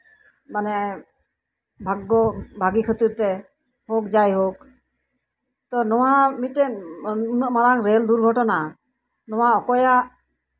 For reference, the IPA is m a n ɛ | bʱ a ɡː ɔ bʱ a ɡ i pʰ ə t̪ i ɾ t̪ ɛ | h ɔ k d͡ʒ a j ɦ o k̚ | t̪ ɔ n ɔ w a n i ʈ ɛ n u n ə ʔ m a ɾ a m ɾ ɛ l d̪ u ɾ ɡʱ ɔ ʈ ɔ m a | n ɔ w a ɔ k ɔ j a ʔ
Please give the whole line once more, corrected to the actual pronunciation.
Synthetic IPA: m a n ɛ | bʱ a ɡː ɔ bʱ a ɡ i kʰ ə t̪ i ɾ t̪ ɛ | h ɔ k d͡ʒ a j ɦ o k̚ | t̪ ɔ n ɔ w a m i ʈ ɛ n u n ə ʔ m a ɾ a ŋ ɾ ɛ l d̪ u ɾ ɡʱ ɔ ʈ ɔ n a | n ɔ w a ɔ k ɔ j a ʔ